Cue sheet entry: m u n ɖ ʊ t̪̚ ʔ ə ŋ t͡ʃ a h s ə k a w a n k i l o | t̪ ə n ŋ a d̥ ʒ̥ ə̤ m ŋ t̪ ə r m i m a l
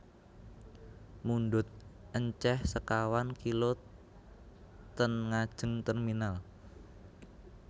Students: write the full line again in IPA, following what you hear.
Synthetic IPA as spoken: m u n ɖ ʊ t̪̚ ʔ ə ɲ t͡ʃ ɛ h s ə k a w a n k i l o | t̪ ə n ŋ a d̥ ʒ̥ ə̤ ŋ t̪ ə r m i n a l